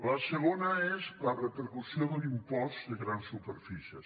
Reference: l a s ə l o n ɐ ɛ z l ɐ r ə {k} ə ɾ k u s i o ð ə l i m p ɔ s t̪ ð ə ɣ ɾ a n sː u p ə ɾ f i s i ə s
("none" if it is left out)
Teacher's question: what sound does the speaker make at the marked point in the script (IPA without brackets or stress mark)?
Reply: p